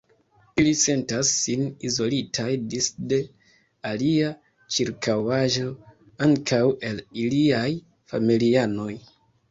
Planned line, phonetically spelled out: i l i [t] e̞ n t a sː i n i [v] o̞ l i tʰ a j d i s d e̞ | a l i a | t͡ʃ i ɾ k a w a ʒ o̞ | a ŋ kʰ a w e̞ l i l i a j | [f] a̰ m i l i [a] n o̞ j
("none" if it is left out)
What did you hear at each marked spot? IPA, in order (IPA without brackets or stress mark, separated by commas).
s, z, f, a